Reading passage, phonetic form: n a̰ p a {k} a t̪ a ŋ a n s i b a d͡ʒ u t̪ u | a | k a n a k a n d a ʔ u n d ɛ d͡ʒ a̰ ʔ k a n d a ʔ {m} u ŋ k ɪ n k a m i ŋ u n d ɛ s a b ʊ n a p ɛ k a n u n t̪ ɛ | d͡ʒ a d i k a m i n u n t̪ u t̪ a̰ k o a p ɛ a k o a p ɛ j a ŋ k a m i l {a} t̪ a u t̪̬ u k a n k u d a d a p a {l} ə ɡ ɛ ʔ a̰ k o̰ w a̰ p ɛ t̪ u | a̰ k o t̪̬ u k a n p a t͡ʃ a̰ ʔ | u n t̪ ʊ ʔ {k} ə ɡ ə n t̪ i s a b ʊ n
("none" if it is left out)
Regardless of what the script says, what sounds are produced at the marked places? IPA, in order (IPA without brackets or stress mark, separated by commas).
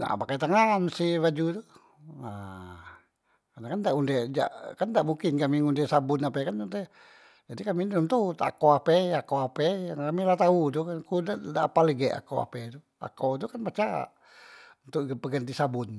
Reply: k, m, a, l, p